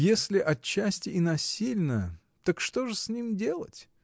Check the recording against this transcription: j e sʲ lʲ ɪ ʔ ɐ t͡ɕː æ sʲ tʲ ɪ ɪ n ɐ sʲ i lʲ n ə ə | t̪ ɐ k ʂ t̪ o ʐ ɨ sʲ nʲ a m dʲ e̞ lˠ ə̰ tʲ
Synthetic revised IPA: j e sʲ lʲ ɪ ʔ ɐ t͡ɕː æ sʲ tʲ ɪ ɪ n ɐ sʲ i lʲ n ə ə | t̪ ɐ k ʂ t̪ o ʐ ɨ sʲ nʲ i m dʲ e̞ lˠ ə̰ tʲ